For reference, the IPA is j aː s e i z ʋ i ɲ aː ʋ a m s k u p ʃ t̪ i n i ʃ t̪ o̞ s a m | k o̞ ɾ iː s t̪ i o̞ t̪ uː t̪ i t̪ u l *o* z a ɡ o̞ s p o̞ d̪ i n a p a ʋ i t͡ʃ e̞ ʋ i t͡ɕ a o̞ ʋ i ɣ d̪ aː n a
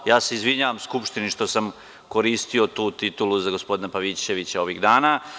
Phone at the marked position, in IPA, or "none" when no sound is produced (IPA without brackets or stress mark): u